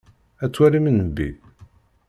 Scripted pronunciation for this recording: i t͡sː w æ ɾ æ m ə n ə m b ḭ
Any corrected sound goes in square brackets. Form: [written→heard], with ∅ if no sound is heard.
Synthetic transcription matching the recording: [i→æ] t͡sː w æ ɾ [æ→i] m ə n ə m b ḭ